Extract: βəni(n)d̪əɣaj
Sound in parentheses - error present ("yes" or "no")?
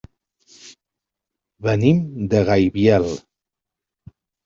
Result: yes